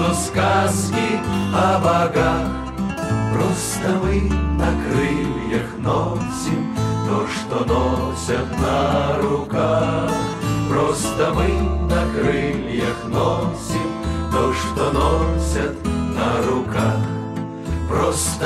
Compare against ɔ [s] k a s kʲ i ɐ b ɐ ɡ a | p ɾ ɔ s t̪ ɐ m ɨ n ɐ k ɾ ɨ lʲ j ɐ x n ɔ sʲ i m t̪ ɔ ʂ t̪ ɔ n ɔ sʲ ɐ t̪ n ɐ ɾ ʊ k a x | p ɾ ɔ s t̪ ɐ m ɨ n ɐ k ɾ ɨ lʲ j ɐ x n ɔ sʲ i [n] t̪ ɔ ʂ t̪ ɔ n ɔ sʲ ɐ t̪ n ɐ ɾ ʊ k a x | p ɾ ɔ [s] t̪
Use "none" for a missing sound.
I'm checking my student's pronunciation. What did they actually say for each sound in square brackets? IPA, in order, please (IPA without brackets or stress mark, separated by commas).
s, m, s